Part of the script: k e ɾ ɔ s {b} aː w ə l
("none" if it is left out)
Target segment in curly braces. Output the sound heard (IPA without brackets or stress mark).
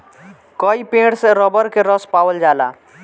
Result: p